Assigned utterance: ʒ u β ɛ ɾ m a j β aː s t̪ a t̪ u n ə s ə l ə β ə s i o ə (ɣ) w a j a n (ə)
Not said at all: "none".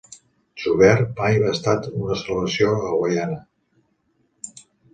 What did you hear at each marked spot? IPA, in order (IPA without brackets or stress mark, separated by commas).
ɣ, ə